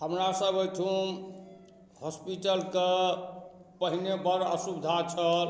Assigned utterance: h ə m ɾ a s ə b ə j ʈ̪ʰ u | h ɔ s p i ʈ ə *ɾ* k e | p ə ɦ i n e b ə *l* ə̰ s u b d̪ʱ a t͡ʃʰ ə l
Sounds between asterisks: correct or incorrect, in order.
incorrect: l, incorrect: ɾ

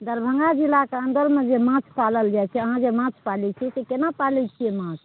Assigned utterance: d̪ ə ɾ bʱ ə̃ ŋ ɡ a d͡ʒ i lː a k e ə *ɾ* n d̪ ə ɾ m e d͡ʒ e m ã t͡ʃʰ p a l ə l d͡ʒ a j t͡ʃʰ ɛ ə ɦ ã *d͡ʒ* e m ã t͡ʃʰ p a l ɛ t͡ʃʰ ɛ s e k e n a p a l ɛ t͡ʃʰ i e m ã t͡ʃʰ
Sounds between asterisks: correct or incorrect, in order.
incorrect: none, correct

